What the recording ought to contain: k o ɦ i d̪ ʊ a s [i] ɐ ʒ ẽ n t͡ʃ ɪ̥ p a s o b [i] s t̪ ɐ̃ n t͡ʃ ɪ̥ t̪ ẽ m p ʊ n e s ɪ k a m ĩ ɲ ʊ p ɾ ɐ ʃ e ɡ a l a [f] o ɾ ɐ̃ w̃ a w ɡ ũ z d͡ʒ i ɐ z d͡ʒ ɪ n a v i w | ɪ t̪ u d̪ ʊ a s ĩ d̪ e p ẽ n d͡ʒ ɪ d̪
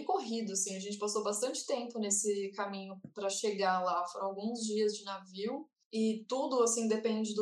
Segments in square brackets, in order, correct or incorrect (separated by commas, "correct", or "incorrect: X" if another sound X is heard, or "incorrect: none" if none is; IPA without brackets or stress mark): incorrect: ĩ, incorrect: a, correct